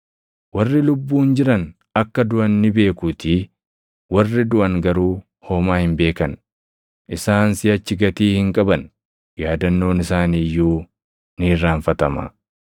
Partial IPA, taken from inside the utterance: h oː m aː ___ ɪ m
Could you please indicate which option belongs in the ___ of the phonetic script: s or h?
h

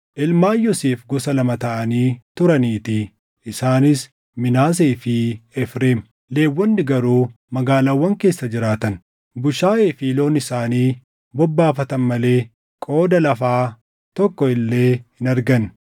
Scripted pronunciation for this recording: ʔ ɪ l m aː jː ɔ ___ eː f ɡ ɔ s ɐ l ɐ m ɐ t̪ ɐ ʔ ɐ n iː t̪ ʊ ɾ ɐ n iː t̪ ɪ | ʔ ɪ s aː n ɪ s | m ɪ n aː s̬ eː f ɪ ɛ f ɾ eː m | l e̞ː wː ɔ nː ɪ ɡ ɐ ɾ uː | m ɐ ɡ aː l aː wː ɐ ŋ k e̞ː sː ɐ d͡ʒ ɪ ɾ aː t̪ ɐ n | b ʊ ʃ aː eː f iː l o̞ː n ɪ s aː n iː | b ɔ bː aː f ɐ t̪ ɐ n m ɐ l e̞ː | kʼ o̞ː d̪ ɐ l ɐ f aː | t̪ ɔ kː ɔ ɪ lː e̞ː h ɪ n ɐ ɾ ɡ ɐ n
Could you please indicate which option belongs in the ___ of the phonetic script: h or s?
s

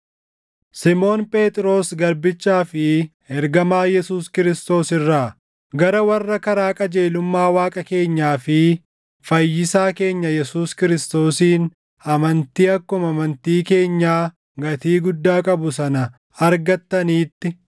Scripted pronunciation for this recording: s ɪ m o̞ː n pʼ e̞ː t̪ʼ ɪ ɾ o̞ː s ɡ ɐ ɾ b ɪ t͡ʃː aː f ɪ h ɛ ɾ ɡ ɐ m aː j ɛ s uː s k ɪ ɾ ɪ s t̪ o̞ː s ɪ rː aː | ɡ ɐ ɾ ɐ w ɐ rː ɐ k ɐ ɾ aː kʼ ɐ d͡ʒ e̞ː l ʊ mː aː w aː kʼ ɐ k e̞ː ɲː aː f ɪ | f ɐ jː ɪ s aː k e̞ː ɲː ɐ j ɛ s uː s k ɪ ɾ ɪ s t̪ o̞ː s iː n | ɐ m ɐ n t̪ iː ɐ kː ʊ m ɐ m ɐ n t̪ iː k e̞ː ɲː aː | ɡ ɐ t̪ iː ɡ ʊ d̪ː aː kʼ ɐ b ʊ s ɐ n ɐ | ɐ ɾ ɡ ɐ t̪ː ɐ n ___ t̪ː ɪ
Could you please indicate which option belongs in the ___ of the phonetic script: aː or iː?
iː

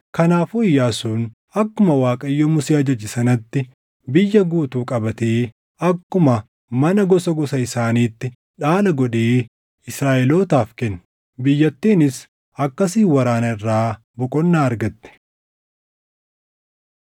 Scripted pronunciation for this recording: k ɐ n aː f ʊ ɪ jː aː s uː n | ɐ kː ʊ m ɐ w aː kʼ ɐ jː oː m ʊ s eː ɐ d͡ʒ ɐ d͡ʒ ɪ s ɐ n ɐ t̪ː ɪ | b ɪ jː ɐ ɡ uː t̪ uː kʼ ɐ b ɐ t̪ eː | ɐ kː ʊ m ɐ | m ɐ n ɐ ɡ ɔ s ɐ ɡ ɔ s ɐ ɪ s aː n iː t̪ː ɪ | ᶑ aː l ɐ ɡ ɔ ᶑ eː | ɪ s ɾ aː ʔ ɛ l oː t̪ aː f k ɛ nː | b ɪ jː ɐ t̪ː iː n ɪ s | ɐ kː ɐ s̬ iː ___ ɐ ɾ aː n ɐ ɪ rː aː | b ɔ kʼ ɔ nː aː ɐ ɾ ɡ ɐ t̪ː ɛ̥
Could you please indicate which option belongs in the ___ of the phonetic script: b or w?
w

